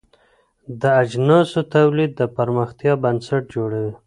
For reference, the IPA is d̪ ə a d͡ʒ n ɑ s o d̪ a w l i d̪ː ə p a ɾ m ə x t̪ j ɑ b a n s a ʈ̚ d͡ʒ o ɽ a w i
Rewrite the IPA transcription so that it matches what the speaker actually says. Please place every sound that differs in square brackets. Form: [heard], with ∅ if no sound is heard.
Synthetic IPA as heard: d̪ ə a d͡ʒ n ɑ s o [t̪] a w l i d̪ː ə p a ɾ m ə x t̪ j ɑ b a n s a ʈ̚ d͡ʒ o ɽ a w i